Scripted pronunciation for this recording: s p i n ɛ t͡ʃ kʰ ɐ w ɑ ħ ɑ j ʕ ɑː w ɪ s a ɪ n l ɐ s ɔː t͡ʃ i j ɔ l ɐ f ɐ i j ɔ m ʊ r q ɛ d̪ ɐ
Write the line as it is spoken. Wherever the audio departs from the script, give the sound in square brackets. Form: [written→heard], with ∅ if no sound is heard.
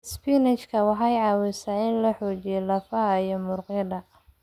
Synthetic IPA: s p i n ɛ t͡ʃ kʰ ɐ w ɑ ħ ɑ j ʕ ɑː w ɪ s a ɪ n l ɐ [s→ħ] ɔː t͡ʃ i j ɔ l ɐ f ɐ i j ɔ m ʊ r q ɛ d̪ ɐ